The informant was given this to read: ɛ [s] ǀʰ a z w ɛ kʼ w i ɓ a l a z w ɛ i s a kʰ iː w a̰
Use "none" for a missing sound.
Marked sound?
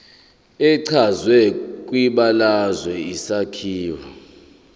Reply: none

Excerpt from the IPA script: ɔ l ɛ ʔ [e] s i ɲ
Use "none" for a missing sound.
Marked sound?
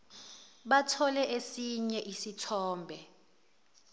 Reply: e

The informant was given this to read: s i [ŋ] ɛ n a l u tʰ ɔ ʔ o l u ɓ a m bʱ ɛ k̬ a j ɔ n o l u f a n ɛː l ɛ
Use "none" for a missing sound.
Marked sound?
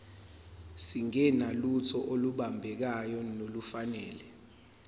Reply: ŋ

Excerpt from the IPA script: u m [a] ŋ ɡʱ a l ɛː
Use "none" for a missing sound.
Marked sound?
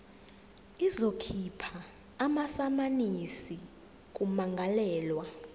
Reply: a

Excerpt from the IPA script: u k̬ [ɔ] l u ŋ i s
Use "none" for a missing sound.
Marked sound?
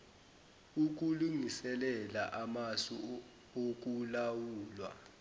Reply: u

